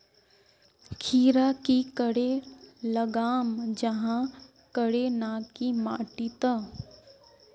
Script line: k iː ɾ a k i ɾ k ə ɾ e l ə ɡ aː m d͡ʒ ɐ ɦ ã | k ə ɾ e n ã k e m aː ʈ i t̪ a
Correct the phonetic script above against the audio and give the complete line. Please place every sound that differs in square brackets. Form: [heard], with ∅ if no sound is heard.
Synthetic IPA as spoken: [kʰ] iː ɾ a k i [∅] k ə [ɽ] e l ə ɡ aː m d͡ʒ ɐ ɦ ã | k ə [ɽ] e n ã k [i] m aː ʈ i t̪ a